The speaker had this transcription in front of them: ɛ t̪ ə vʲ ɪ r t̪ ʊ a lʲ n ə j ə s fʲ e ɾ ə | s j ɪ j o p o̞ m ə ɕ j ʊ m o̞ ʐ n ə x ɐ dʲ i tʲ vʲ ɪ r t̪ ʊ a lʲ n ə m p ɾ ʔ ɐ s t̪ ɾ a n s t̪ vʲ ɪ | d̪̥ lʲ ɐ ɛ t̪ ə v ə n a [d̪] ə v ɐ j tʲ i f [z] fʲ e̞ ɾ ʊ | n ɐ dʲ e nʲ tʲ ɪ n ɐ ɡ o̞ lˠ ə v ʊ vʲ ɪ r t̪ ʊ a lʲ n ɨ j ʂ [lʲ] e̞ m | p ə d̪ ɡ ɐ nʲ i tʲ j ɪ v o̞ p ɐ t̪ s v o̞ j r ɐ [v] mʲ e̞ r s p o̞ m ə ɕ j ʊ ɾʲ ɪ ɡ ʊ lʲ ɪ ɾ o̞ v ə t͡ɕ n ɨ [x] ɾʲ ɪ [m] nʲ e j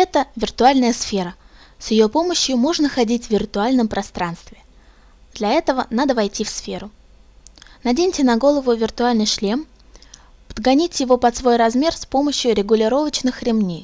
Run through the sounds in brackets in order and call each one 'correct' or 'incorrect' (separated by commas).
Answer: correct, incorrect, correct, incorrect, correct, correct